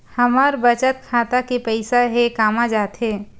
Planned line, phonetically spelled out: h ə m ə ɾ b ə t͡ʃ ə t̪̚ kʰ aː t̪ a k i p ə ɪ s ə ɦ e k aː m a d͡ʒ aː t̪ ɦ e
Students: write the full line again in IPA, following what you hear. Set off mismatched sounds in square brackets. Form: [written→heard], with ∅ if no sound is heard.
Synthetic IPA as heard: h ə m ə ɾ b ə t͡ʃ ə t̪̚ kʰ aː t̪ a k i p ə ɪ s [ə→a] ɦ e k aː m a d͡ʒ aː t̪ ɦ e